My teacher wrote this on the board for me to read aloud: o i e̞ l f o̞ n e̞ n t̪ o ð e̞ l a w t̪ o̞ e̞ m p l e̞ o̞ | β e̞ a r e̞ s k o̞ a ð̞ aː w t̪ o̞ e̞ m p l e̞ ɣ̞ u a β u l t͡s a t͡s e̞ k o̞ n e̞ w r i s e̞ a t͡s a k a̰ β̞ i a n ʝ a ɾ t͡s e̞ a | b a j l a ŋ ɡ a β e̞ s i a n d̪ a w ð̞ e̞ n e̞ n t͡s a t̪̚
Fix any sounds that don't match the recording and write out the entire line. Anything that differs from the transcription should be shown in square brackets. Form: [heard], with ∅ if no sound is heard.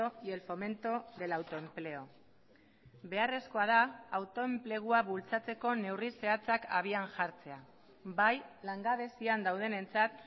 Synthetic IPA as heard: o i e̞ l f o̞ [m] e̞ n t̪ o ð e̞ l a w t̪ o̞ e̞ m p l e̞ o̞ | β e̞ a r e̞ s k o̞ a ð̞ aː w t̪ o̞ e̞ m p l e̞ ɣ̞ u a β u l t͡s a t͡s e̞ k o̞ n e̞ w r i s e̞ a t͡s a k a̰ β̞ i a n ʝ a ɾ t͡s e̞ a | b a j l a ŋ ɡ a β e̞ s i a n d̪ a w ð̞ e̞ n e̞ n t͡s a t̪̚

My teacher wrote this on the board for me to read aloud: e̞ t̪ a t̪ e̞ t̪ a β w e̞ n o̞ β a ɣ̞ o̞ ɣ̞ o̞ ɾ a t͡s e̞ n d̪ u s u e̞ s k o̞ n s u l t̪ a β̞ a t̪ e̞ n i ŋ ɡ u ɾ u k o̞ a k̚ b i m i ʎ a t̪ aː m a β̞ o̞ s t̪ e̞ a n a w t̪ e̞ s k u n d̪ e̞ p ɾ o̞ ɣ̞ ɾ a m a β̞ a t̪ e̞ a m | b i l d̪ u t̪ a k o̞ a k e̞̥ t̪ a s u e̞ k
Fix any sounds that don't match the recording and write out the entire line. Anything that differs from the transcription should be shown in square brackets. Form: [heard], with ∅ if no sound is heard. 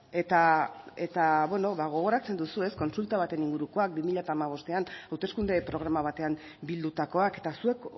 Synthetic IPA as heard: e̞ t̪ a [∅] e̞ t̪ a β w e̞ n o̞ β a ɣ̞ o̞ ɣ̞ o̞ ɾ a t͡s e̞ n d̪ u s u e̞ s k o̞ n s u l t̪ a β̞ a t̪ e̞ n i ŋ ɡ u ɾ u k o̞ a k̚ b i m i ʎ a t̪ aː m a β̞ o̞ s t̪ e̞ a n a w t̪ e̞ s k u n d̪ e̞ p ɾ o̞ ɣ̞ ɾ a m a β̞ a t̪ e̞ a m | b i l d̪ u t̪ a k o̞ a k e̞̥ t̪ a s u e̞ k

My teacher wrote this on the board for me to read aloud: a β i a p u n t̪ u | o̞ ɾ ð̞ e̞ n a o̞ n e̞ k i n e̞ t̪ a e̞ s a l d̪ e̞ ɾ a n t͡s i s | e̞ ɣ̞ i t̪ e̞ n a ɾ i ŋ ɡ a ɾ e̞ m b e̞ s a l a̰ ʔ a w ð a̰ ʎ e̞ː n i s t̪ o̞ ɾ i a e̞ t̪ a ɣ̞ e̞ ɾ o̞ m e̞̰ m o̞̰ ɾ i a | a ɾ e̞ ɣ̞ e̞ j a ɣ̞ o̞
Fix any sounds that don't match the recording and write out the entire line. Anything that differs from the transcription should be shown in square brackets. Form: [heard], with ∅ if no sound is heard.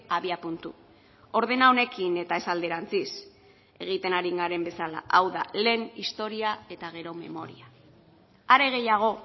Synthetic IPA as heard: a β i a p u n t̪ u | o̞ ɾ ð̞ e̞ n a o̞ n e̞ k i n e̞ t̪ a e̞ s a l d̪ e̞ ɾ a n t͡s i s | e̞ ɣ̞ i t̪ e̞ n a ɾ i ŋ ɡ a ɾ e̞ m b e̞ s a l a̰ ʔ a w ð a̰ [l] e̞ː n i s t̪ o̞ ɾ i a e̞ t̪ a ɣ̞ e̞ ɾ o̞ m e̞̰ m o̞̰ ɾ i a | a ɾ e̞ ɣ̞ e̞ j a ɣ̞ o̞

